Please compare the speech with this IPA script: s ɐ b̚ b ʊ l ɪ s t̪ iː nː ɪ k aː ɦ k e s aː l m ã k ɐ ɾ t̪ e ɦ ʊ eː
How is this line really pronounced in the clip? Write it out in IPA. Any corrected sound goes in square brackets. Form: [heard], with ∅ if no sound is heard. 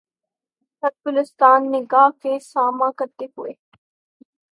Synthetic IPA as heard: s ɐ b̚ b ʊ l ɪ s t̪ [aː] nː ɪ [ɡ] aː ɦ k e s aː [∅] m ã k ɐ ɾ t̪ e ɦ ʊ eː